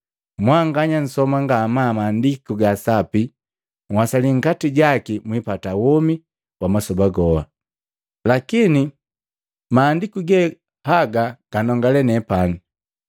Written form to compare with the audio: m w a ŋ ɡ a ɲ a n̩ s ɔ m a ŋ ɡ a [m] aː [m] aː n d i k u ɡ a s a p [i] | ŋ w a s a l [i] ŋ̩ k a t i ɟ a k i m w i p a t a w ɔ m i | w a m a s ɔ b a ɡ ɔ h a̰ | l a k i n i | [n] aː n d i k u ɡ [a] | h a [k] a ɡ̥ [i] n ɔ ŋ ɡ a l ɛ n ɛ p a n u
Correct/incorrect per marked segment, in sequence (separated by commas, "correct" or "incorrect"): correct, correct, correct, correct, incorrect, incorrect, incorrect, incorrect